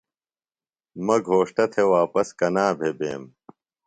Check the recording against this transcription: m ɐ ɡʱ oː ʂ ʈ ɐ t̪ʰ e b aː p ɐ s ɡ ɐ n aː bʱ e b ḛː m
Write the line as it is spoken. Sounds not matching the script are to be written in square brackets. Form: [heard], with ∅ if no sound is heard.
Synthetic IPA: m ɐ ɡʱ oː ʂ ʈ ɐ t̪ʰ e [w] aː p ɐ s [k] ɐ n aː bʱ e b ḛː m

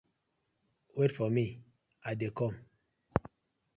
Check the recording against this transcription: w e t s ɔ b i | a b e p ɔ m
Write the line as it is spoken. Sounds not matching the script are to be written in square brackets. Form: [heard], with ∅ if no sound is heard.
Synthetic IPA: w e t [f] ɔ [m] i | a [d] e [k] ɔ m

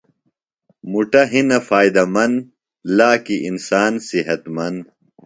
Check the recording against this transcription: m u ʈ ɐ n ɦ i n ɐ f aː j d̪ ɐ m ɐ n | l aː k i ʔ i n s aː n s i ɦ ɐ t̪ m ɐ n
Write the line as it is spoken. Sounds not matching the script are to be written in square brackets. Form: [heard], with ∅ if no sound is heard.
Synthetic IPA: m u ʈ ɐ [∅] ɦ i n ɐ f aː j d̪ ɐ m ɐ n | l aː k i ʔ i n s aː n s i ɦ ɐ t̪ m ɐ n

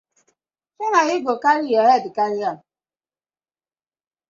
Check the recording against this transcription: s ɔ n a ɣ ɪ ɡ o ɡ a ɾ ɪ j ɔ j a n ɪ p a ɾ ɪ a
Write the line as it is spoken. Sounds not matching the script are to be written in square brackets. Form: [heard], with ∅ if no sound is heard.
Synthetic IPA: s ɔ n a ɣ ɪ ɡ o [k] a ɾ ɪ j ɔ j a [d] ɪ [k] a ɾ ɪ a

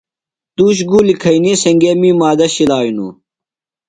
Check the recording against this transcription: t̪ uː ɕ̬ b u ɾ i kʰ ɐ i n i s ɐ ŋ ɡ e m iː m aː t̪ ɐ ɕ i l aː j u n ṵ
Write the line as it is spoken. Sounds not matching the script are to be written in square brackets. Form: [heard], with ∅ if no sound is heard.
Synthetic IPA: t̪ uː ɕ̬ [ɡ] u [l] i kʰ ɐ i n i s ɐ ŋ ɡ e m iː m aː [d̪] ɐ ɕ i l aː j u n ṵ

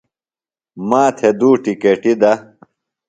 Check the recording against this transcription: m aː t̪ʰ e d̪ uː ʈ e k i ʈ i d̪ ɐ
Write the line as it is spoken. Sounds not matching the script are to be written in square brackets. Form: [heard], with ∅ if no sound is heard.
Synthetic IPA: m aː t̪ʰ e d̪ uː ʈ [i] k [e] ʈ i d̪ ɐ

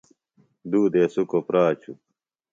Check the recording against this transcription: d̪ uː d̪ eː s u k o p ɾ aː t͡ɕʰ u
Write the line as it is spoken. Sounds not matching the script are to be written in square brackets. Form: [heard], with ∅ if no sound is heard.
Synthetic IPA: d̪ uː d̪ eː s u k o p ɾ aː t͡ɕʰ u

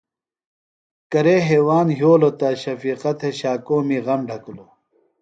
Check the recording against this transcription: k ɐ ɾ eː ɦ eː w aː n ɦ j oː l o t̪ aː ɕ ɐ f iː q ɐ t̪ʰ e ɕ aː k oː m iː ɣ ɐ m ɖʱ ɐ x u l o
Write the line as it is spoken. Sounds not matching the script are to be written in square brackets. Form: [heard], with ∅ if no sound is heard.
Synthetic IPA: k ɐ ɾ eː ɦ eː w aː n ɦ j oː l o t̪ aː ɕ ɐ f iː q ɐ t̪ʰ e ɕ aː k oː m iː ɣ ɐ m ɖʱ ɐ [k] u l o

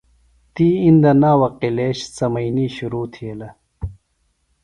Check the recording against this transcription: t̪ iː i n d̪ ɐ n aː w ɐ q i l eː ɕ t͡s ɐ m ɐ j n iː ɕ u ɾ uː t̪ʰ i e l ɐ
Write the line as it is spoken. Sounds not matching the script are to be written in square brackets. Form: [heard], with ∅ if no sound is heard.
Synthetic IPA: t̪ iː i n d̪ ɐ n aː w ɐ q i l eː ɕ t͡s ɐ m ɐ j n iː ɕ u ɾ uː t̪ʰ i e l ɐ

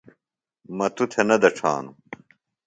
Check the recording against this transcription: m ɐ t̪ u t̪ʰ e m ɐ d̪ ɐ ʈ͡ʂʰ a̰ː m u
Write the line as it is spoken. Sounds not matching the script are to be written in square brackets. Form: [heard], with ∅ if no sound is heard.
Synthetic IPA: m ɐ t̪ u t̪ʰ e [n] ɐ d̪ ɐ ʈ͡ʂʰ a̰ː [n] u

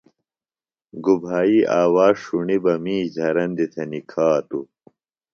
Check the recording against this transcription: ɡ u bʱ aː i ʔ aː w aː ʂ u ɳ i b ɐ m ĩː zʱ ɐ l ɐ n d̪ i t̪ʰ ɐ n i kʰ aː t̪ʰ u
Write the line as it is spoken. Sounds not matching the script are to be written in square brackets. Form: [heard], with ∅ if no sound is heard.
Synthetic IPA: ɡ u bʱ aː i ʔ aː w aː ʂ u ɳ i b ɐ m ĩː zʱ ɐ [ɾ] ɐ n d̪ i t̪ʰ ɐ n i kʰ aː [t̪] u

